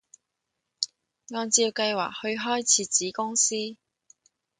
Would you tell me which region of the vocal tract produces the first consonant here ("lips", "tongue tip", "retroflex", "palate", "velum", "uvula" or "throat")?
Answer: velum